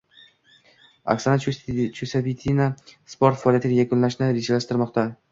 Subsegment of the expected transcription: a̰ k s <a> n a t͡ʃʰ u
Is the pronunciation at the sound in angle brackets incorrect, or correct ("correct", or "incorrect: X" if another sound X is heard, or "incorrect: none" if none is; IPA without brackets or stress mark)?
correct